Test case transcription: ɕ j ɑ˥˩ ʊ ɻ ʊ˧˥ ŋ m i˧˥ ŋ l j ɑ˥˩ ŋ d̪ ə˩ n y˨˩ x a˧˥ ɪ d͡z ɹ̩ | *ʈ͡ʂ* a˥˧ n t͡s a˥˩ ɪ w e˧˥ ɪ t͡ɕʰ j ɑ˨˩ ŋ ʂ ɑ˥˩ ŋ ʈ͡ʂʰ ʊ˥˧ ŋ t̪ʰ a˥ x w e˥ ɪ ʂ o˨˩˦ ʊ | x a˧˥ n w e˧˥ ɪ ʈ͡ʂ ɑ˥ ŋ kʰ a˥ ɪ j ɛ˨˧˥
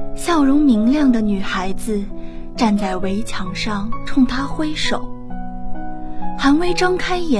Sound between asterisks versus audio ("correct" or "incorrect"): correct